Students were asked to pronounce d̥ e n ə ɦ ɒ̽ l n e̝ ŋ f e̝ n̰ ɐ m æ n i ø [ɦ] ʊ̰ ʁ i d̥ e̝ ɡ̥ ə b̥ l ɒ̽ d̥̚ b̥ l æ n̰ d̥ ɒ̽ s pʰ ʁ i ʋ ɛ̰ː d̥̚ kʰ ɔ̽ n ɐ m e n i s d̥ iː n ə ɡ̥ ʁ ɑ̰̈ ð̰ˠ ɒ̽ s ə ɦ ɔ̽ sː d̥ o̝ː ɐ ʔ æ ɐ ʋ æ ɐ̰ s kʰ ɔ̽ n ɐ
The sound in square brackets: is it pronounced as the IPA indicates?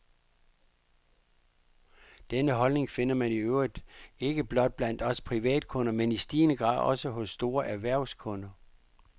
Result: no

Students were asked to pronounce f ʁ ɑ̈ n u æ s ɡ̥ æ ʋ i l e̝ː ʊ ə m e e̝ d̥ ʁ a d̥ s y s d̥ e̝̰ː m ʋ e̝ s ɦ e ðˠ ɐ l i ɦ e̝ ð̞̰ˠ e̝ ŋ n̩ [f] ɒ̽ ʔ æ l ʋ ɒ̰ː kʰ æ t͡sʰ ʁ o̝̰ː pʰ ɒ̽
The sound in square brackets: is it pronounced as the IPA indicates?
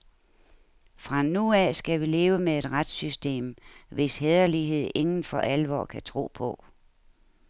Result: yes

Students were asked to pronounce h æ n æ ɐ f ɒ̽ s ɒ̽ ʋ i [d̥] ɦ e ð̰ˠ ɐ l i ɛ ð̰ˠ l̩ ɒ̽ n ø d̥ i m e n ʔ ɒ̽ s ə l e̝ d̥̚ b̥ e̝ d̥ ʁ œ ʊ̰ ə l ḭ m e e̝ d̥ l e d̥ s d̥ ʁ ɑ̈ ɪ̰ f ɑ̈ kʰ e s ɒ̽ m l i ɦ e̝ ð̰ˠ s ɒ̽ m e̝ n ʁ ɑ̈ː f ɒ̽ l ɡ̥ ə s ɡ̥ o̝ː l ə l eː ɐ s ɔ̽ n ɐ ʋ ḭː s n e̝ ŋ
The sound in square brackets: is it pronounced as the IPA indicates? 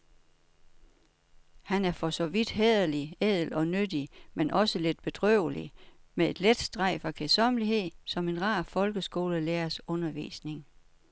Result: yes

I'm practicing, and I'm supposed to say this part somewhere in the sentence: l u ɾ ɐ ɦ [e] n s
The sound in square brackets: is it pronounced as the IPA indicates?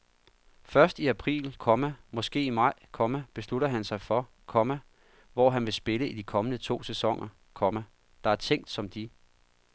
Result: no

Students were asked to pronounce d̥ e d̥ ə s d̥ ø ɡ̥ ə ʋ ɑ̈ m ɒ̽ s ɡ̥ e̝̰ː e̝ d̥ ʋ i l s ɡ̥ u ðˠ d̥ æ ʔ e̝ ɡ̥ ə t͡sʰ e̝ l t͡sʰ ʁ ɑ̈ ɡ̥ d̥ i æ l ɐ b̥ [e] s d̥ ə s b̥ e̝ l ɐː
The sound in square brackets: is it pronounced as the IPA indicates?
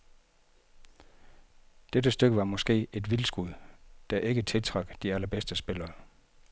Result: yes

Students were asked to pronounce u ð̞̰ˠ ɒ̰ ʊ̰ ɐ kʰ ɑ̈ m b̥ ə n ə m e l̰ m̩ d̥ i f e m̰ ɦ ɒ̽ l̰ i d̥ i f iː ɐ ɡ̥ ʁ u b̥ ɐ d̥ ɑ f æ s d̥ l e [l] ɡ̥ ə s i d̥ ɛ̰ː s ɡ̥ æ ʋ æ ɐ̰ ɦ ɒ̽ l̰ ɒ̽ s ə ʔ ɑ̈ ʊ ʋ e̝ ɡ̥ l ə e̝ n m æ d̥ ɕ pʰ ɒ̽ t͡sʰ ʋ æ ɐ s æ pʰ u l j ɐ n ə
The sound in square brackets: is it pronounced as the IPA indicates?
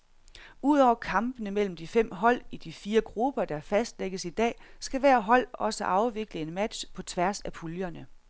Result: no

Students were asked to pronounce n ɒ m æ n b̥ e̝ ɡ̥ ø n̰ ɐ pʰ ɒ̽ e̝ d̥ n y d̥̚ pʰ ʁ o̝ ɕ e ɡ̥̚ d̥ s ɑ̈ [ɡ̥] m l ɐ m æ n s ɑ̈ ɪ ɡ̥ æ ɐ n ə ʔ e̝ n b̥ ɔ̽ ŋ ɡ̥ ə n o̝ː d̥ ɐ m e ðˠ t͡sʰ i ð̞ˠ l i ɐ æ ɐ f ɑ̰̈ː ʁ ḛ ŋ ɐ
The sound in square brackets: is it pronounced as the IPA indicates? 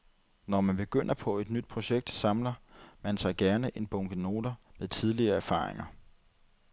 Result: no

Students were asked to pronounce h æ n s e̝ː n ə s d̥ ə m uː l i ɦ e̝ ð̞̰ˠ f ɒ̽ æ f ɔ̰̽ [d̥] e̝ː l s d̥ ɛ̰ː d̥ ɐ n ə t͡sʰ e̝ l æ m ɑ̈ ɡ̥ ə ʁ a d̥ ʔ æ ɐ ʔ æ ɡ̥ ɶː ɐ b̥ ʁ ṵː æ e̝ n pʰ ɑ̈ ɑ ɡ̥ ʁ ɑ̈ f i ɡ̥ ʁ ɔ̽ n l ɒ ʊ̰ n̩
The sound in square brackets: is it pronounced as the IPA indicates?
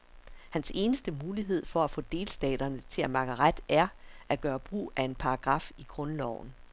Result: yes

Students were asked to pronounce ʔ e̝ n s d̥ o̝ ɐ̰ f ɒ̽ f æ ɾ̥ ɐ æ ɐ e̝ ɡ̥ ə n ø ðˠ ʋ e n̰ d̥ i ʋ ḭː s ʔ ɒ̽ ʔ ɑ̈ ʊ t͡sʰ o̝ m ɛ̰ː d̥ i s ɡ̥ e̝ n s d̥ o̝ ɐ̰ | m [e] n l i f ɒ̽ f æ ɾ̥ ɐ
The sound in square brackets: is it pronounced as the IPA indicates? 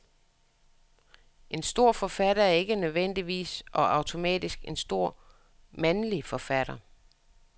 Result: no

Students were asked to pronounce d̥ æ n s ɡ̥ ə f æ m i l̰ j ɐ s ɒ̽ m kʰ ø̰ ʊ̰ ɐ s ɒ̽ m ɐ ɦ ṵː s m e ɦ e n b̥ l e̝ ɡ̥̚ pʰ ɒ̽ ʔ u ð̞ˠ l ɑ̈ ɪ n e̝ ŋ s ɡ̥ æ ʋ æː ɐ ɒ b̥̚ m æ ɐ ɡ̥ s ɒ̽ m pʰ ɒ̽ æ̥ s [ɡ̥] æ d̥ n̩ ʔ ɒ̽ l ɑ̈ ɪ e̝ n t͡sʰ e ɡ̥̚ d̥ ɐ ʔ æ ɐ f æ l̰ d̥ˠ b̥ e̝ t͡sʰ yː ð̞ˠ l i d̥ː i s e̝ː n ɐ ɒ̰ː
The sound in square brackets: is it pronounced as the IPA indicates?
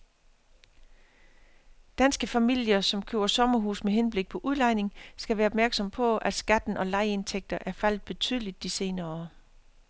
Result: yes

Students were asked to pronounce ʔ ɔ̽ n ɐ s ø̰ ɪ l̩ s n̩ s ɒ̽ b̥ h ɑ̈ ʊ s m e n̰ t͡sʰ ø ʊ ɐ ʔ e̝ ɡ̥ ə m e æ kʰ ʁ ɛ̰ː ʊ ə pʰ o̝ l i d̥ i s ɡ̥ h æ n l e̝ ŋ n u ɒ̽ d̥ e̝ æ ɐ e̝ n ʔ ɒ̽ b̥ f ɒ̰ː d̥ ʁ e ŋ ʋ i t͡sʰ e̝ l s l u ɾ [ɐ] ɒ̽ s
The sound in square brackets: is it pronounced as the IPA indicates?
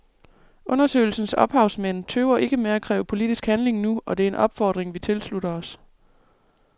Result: yes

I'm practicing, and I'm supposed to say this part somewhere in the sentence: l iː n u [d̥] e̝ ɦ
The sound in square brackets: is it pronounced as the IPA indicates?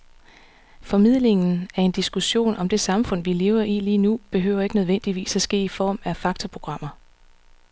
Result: no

